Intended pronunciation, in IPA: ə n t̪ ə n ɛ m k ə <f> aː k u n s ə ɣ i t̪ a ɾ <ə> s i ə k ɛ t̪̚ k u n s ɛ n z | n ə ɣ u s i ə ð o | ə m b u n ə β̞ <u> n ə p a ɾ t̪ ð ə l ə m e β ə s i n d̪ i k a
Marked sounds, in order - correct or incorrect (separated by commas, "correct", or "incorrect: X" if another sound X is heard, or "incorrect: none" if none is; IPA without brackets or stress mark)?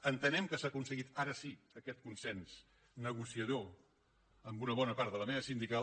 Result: incorrect: s, correct, incorrect: ɔ